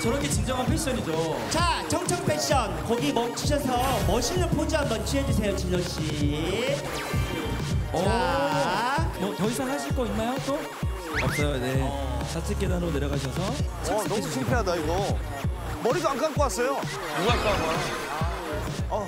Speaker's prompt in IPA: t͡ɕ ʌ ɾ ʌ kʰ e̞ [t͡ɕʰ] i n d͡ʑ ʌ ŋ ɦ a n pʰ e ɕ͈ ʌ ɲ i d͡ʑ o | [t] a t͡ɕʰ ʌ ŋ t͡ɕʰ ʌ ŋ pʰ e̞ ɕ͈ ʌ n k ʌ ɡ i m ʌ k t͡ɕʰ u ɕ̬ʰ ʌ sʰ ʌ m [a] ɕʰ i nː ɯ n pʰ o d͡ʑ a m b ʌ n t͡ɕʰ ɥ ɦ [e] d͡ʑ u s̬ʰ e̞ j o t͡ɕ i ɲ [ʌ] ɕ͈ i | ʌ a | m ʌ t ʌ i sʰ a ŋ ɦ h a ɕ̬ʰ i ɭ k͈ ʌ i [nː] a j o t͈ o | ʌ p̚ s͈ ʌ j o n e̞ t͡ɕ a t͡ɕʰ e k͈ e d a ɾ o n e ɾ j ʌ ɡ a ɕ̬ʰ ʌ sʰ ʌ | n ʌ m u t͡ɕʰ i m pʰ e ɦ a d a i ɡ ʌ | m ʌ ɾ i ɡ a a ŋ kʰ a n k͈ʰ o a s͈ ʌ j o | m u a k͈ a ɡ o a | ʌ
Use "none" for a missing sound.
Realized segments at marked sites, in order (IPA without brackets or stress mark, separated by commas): t͡ɕ, t͡ɕ, ʌ, e, ʌ, nː